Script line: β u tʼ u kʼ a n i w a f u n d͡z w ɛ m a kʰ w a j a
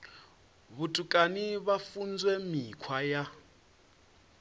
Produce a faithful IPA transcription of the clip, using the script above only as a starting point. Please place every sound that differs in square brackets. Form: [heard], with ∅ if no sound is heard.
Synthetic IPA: β u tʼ u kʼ a n i [β] a f u n d͡z w ɛ m [i] kʰ w a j a